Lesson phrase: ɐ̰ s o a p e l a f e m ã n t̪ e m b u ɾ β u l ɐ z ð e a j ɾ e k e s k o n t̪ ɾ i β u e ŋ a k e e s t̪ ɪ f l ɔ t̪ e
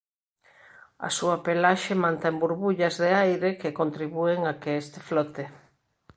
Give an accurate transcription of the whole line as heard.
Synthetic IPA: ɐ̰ s u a p e l a ʃ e m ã n t̪ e m b u ɾ β u ʎ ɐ z ð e a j ɾ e k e k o n t̪ ɾ i β u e ŋ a k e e s t̪ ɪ f l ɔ t̪ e